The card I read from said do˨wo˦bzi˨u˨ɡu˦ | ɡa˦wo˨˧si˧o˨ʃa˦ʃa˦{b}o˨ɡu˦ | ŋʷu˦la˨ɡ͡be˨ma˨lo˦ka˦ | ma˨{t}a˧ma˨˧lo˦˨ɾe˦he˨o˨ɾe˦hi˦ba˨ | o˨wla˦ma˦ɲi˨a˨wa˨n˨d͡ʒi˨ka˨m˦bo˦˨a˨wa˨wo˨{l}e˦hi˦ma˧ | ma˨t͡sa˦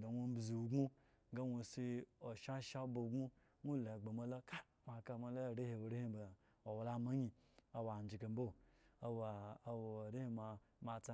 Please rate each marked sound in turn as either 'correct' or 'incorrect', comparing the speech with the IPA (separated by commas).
correct, incorrect, incorrect